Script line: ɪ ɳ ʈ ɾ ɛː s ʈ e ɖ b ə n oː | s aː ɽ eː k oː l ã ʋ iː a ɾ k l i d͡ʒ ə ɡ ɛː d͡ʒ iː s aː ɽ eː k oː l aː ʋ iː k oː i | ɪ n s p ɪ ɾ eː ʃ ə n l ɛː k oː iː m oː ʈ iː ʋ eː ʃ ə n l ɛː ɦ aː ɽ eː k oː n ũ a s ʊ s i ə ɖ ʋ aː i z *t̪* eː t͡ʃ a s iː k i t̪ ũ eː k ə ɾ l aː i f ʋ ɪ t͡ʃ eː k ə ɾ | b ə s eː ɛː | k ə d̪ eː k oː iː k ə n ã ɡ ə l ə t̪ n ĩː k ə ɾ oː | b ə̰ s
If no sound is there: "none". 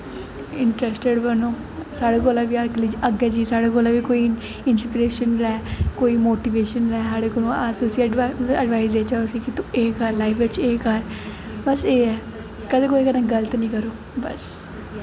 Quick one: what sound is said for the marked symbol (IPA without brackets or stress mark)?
d̪